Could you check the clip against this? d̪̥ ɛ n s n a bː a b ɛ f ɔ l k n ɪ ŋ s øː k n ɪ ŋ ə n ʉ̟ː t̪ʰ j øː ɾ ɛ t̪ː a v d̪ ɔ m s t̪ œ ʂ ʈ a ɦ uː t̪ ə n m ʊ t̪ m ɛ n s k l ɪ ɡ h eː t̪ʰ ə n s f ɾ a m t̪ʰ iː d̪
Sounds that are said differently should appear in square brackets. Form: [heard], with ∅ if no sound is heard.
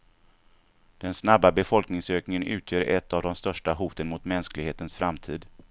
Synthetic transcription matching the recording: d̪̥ ɛ n s n a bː a b ɛ f ɔ l k n ɪ ŋ s øː k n ɪ ŋ ə n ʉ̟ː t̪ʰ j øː ɾ ɛ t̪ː a v d̪ ɔ m s t̪ œ ʂ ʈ a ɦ uː t̪ ə n m ʊ t̪ m ɛ n s k l ɪ ɡ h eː [t̪] ə n s f ɾ a m t̪ʰ iː d̪